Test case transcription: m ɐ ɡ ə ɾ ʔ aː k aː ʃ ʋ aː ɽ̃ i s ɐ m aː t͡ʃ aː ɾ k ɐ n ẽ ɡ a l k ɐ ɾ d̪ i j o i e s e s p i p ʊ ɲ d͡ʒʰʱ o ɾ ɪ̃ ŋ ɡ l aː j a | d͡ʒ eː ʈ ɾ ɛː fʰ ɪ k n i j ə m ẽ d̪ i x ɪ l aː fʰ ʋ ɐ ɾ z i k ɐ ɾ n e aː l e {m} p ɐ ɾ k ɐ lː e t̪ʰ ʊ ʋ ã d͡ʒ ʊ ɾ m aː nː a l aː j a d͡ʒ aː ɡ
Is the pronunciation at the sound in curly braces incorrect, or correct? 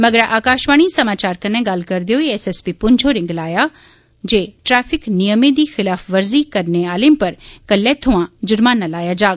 correct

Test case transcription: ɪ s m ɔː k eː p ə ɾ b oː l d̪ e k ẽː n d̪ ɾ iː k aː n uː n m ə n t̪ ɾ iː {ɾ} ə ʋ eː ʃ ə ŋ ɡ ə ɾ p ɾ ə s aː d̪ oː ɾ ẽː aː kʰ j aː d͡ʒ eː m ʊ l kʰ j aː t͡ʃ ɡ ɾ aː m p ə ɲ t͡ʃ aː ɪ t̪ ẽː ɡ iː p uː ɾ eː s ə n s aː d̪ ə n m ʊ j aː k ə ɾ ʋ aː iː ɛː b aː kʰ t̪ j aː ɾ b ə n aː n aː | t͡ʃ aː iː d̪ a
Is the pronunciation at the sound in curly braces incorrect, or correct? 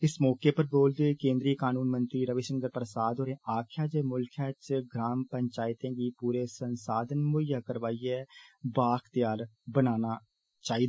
correct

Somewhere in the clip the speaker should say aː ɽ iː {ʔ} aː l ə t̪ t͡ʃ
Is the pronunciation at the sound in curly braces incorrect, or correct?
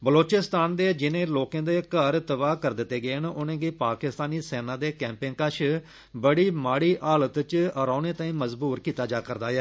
correct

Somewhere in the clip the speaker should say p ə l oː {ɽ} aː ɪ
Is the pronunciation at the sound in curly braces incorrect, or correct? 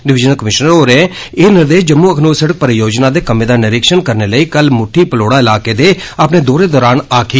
correct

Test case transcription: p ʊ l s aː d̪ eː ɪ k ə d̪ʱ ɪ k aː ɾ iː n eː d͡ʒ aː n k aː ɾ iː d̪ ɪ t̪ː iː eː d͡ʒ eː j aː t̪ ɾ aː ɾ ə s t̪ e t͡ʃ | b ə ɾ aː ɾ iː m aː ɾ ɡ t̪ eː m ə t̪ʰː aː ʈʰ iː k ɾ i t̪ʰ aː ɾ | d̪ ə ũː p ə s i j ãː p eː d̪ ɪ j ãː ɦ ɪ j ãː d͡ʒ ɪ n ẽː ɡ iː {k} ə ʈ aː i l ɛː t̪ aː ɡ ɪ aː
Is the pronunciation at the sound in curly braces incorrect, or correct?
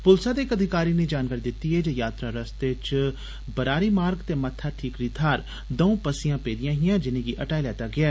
incorrect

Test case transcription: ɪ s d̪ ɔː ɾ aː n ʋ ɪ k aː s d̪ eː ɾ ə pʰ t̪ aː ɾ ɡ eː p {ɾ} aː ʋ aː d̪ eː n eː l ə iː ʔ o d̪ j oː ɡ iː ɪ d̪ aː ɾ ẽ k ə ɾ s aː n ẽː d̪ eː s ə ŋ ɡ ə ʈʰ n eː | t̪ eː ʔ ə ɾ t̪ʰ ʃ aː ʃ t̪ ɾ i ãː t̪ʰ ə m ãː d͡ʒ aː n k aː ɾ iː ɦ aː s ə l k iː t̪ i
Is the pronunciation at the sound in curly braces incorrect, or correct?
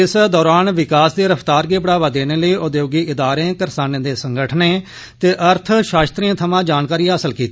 incorrect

